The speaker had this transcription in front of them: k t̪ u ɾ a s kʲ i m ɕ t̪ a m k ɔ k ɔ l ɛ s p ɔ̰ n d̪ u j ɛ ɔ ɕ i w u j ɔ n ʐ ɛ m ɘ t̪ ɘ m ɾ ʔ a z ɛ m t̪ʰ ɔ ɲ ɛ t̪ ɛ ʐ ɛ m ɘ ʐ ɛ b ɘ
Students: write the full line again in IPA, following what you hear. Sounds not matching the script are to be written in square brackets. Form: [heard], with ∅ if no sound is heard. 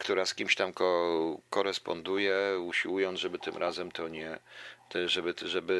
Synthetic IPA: k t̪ u ɾ a s kʲ i m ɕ t̪ a m k ɔ k ɔ [ɾ] ɛ s p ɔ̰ n d̪ u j ɛ [u] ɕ i w u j ɔ n ʐ ɛ [b] ɘ t̪ ɘ m ɾ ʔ a z ɛ m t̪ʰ ɔ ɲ ɛ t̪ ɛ ʐ ɛ [b] ɘ ʐ ɛ b ɘ